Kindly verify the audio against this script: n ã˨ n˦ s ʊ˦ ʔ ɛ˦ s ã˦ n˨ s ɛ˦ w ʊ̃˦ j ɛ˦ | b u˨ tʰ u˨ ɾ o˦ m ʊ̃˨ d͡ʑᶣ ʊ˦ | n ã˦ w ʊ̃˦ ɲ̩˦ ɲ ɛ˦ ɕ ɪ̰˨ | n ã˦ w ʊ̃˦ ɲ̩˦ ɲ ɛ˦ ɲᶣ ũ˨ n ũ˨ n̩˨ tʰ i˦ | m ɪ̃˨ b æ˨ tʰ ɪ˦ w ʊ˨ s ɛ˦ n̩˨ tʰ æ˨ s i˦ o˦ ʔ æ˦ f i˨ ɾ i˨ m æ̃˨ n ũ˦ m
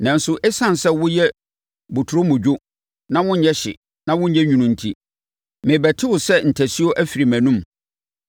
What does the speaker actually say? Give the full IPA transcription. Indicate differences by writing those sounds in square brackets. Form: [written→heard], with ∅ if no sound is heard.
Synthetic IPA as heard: n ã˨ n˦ s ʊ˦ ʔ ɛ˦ s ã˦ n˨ s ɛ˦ w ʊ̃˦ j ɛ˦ | b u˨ tʰ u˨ ɾ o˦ m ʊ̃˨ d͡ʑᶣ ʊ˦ | n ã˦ w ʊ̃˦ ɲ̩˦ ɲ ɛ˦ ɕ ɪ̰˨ | n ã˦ w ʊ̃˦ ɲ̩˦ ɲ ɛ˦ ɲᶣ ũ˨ n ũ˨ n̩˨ tʰ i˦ | m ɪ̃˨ b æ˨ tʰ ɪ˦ w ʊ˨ s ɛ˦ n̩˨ tʰ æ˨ s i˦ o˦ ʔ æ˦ f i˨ ɾ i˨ m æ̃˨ n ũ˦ m

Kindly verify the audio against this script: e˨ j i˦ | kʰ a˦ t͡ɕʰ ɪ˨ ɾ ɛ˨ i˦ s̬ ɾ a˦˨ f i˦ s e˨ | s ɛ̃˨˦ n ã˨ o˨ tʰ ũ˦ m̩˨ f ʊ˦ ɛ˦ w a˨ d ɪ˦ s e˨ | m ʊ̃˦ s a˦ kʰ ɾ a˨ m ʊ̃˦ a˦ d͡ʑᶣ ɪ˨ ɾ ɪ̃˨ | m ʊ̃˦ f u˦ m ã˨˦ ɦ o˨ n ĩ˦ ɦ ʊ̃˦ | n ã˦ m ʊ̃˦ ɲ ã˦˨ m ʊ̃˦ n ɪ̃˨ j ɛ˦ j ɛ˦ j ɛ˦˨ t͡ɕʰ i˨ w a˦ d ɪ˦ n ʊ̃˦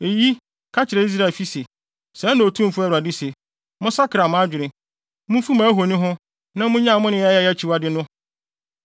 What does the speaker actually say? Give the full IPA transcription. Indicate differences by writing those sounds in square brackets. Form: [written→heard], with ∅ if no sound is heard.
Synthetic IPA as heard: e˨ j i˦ | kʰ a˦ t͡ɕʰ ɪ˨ ɾ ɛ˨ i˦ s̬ ɾ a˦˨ f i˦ s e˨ | s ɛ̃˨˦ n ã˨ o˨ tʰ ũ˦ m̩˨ f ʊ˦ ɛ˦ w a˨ d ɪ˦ s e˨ | m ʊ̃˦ s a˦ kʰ ɾ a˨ m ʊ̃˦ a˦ d͡ʑᶣ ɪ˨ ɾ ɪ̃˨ | m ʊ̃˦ f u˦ m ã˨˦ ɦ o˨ n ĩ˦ ɦ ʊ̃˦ | n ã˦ m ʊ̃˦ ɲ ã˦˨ m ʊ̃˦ n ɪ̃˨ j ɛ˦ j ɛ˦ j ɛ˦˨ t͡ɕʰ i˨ w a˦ d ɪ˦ n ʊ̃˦

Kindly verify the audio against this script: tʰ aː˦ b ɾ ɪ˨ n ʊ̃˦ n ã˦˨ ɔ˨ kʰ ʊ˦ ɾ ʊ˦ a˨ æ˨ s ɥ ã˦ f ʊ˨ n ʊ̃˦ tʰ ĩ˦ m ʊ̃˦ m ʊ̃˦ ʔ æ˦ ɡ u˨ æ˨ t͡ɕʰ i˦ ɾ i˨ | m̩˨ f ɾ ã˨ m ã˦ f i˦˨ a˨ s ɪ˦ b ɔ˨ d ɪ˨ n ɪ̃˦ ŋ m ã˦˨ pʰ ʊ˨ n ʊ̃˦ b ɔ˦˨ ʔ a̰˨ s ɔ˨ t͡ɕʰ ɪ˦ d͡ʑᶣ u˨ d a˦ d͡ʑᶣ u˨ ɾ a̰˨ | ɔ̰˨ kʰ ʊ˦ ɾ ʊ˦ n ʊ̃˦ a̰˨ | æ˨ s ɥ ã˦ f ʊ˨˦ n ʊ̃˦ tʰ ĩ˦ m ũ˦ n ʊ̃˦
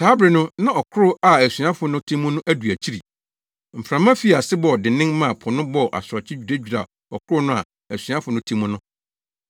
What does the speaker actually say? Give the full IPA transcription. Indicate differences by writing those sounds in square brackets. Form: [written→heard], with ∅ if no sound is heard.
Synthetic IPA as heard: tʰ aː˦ b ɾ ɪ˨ n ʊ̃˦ n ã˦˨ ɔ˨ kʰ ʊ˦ ɾ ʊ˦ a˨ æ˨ s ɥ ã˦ f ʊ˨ n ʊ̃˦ tʰ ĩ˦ m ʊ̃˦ [m→n] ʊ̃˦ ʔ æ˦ [ɡ→d] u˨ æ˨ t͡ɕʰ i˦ ɾ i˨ | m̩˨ f ɾ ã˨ m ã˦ f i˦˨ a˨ s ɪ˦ b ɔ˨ d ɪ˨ n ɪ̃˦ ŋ m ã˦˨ pʰ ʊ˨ n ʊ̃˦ b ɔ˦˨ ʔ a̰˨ s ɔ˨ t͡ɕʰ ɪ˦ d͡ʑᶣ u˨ d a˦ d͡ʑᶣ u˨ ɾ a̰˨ | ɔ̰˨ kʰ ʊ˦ ɾ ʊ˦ n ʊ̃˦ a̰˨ | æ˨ s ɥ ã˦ f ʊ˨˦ n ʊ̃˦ tʰ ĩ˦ m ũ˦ n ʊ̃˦

